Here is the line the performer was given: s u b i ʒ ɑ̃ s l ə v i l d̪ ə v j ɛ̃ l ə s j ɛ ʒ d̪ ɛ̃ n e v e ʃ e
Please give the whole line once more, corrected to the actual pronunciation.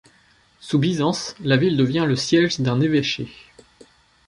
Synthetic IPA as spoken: s u b i z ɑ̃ s l a v i l d̪ ə v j ɛ̃ l ə s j ɛ ʒ d̪ ɛ̃ n e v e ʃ e